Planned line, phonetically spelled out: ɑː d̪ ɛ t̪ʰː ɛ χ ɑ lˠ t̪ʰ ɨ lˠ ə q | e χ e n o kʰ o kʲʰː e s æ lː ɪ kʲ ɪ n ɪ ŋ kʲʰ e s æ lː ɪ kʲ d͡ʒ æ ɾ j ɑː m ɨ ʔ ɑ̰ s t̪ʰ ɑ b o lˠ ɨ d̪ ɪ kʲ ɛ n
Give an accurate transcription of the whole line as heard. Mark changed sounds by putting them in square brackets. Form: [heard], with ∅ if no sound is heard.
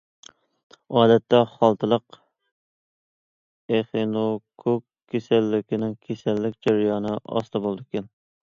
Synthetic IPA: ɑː d̪ ɛ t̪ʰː ɛ χ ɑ lˠ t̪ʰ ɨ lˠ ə q | e χ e n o kʰ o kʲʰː e s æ lː ɪ kʲ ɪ n ɪ ŋ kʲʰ e s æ lː ɪ kʲ d͡ʒ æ ɾ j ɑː [n] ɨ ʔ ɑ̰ s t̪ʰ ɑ b o lˠ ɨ d̪ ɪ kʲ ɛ n